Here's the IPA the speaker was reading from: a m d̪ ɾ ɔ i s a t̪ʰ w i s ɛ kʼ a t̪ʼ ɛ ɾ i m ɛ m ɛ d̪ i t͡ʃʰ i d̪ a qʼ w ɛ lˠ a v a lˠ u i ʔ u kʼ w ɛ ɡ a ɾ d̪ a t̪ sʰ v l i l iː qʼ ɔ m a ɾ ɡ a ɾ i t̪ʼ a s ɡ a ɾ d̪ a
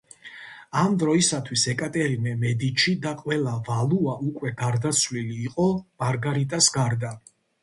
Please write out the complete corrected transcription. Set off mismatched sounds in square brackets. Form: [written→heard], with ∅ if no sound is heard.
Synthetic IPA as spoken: a m d̪ ɾ ɔ i s a t̪ʰ w i s ɛ kʼ a t̪ʼ ɛ ɾ i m ɛ m ɛ d̪ i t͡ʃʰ i d̪ a qʼ w ɛ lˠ a v a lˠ u [i→a] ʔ u kʼ w ɛ ɡ a ɾ d̪ a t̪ sʰ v l i l iː qʼ ɔ m a ɾ ɡ a ɾ i t̪ʼ a s ɡ a ɾ d̪ a